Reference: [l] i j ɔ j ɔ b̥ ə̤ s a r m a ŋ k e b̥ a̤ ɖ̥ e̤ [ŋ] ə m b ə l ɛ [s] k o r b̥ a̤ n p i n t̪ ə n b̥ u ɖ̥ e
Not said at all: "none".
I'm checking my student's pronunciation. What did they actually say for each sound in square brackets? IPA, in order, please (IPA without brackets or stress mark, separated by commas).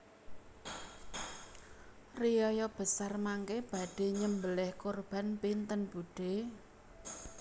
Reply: r, ɲ, h